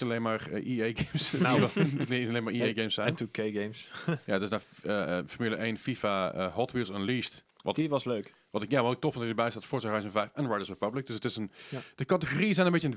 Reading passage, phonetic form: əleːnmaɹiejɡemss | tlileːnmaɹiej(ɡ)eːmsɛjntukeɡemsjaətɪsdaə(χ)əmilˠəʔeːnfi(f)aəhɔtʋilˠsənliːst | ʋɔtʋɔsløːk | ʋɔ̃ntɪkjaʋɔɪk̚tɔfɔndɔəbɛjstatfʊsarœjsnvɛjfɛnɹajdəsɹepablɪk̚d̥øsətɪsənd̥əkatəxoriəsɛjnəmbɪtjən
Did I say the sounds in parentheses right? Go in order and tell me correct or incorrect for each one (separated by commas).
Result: correct, incorrect, correct